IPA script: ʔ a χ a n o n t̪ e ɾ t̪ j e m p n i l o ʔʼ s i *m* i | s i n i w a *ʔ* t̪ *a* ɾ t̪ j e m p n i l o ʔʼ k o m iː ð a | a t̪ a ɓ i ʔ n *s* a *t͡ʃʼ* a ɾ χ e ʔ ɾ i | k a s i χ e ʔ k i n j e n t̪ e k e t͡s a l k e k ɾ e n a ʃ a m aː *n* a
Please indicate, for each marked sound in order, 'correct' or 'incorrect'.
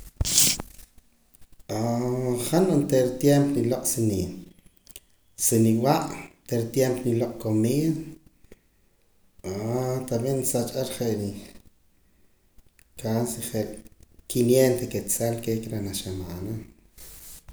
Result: incorrect: n, correct, incorrect: e, correct, correct, correct

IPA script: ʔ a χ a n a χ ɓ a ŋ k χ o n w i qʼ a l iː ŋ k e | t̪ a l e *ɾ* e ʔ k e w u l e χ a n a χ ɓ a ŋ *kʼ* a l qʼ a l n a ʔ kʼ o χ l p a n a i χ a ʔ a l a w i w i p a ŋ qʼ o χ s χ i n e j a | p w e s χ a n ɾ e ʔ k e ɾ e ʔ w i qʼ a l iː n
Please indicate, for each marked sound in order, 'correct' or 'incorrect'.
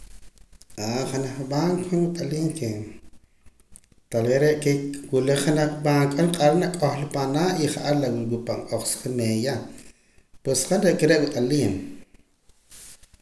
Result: correct, correct

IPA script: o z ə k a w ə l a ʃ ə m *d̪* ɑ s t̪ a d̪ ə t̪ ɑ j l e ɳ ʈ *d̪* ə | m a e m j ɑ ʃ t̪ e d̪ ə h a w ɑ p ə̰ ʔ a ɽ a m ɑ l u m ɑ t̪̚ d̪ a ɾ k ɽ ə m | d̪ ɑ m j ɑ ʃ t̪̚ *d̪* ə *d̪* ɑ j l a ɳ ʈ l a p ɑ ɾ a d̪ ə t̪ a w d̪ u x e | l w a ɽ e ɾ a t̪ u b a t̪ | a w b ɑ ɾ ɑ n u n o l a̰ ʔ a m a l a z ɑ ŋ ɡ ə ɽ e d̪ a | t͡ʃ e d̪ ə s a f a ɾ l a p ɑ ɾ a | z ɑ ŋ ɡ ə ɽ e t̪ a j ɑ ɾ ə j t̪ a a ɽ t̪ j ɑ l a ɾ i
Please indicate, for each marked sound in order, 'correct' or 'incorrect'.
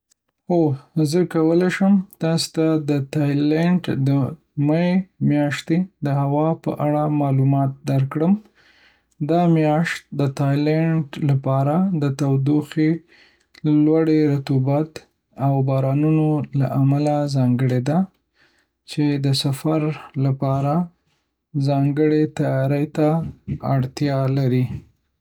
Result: incorrect: t̪, correct, correct, incorrect: t̪

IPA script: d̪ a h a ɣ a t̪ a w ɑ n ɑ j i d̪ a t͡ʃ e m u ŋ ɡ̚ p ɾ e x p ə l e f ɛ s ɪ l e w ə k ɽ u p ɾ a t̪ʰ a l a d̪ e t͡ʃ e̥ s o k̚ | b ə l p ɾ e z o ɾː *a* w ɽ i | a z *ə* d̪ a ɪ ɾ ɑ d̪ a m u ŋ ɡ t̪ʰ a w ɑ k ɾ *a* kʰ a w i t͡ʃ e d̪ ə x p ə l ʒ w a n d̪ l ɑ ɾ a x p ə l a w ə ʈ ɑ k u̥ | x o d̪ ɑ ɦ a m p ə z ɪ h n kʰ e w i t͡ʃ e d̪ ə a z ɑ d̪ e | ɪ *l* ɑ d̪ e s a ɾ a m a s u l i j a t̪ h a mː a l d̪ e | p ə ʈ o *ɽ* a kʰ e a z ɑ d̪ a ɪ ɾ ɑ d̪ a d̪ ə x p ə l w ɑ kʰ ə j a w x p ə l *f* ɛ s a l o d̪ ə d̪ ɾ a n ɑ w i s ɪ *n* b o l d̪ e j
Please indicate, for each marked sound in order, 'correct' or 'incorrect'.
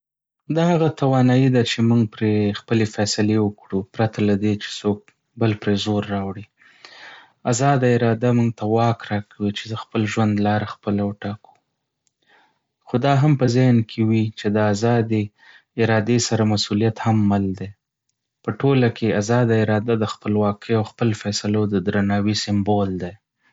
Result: incorrect: ɑ, incorrect: ɑ, incorrect: ɑ, incorrect: ɾ, incorrect: l, correct, incorrect: m

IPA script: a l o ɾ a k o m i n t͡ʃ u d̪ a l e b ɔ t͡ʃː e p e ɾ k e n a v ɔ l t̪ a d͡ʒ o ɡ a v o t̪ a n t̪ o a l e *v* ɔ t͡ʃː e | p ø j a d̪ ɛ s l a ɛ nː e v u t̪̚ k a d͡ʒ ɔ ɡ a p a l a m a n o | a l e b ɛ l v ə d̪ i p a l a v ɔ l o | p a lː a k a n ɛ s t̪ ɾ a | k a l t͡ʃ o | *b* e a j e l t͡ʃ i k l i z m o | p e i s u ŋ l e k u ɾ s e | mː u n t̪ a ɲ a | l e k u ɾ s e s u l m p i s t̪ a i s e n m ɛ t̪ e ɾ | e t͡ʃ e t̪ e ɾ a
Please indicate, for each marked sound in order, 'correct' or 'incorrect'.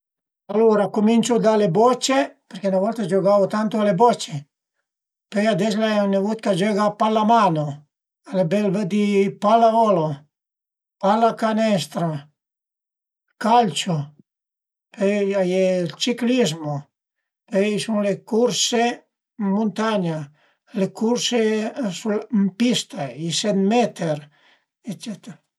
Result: incorrect: b, incorrect: p

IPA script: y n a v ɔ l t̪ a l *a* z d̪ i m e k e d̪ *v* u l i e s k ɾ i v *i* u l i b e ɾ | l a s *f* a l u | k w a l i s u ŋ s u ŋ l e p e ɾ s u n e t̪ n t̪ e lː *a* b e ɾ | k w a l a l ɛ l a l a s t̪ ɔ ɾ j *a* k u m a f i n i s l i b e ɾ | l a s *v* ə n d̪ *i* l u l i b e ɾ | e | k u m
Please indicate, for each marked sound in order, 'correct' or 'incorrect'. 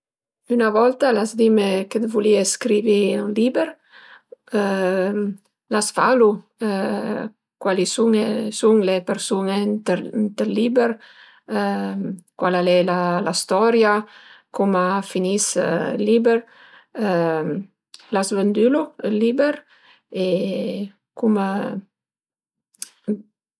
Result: correct, correct, correct, correct, incorrect: i, correct, correct, incorrect: y

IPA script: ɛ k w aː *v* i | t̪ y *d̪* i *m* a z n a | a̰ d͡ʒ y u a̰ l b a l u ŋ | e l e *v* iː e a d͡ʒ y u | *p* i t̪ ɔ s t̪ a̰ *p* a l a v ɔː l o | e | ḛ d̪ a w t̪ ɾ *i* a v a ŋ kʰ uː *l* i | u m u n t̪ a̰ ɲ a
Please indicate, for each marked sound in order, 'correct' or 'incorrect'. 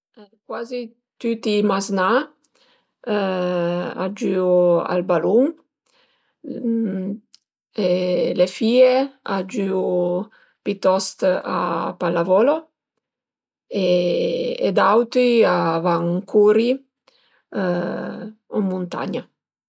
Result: incorrect: z, incorrect: t̪, correct, incorrect: f, correct, correct, correct, incorrect: ɾ

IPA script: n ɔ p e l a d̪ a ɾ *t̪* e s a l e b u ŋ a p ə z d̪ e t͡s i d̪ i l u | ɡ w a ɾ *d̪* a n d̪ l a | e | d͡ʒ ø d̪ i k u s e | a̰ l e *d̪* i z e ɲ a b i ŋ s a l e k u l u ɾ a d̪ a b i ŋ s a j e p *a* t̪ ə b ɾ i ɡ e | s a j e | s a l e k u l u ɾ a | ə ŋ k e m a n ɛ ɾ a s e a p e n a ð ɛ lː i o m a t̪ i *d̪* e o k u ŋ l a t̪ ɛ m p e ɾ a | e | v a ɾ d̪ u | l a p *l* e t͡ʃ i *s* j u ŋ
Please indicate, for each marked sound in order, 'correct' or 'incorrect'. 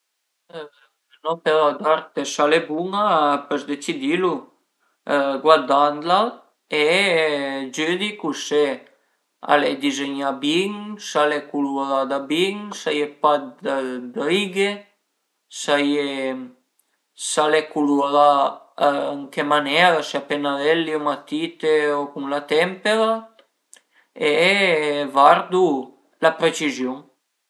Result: correct, correct, correct, correct, incorrect: t̪, incorrect: ɾ, incorrect: z

